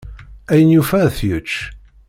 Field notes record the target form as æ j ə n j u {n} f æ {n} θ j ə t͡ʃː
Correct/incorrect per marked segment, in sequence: incorrect: none, incorrect: none

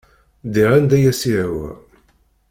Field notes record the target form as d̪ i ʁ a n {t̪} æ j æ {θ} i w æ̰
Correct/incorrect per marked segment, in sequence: incorrect: d̪, incorrect: s

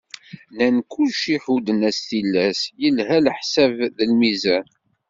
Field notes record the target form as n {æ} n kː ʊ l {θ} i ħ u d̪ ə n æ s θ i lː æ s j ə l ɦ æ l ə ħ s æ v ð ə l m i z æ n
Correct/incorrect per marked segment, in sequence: correct, incorrect: ʃ

